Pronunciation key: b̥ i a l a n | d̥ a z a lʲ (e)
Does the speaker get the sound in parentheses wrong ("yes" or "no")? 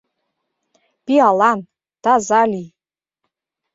yes